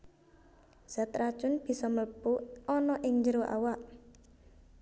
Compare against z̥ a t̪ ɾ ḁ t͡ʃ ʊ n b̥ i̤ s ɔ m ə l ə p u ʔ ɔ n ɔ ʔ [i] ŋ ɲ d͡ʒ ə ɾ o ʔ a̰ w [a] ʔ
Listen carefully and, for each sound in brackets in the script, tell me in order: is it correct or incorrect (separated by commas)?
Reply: incorrect, correct